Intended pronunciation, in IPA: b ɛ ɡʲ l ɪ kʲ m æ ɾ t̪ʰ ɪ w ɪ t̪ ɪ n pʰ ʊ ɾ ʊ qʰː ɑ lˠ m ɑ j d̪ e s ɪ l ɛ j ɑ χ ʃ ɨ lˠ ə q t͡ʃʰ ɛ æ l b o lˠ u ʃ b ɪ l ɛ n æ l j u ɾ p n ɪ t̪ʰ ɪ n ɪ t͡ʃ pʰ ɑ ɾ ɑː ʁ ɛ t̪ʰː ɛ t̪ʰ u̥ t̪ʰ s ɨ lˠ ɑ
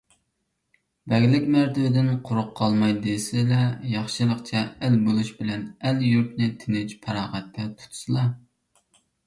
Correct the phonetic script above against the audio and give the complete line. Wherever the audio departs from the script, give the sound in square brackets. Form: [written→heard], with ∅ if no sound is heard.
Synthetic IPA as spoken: b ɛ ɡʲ l ɪ kʲ m æ ɾ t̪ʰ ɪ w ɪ [t̪→d̪] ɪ n [pʰ→qʰ] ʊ ɾ ʊ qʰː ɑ lˠ m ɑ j d̪ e s ɪ l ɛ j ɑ χ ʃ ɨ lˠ ə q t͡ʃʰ ɛ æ l b o lˠ u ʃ b ɪ l ɛ n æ l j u ɾ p n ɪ t̪ʰ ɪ n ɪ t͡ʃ pʰ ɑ ɾ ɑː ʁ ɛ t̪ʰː ɛ t̪ʰ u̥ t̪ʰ s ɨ lˠ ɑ